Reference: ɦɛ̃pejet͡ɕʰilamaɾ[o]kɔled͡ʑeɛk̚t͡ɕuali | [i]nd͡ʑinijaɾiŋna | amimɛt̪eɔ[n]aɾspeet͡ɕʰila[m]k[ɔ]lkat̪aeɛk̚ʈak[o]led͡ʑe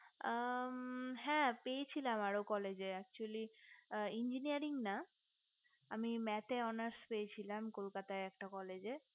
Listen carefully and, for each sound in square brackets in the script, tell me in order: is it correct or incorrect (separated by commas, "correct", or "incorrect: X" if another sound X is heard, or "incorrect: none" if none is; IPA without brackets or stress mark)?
correct, correct, correct, correct, incorrect: o, incorrect: ɔ